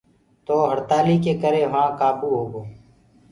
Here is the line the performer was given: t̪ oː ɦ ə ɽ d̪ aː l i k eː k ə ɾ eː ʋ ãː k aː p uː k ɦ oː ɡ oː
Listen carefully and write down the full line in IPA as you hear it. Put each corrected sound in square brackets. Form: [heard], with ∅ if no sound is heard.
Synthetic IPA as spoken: t̪ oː ɦ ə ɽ [t̪] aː l i k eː k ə ɾ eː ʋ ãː k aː p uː [∅] ɦ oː ɡ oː